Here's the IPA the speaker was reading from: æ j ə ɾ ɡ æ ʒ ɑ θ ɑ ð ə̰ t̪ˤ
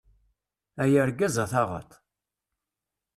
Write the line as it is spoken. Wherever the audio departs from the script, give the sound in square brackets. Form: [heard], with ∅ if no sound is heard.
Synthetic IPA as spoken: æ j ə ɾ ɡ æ [z] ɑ θ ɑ [ʁ] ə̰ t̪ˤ